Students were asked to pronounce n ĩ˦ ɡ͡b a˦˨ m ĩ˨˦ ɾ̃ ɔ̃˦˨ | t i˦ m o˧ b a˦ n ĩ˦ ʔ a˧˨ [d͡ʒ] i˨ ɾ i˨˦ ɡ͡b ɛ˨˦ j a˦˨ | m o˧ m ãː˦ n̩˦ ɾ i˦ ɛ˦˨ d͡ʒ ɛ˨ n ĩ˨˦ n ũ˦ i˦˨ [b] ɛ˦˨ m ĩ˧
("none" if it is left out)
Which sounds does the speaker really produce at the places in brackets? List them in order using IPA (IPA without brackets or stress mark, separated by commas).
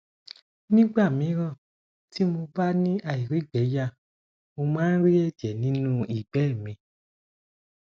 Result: none, ɡ͡b